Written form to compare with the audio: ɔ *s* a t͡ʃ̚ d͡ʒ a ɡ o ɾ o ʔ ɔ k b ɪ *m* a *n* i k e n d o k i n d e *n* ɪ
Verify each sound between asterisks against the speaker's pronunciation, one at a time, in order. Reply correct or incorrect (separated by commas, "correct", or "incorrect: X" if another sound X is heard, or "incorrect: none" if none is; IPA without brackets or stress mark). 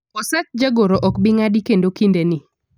correct, incorrect: ŋ, incorrect: d, correct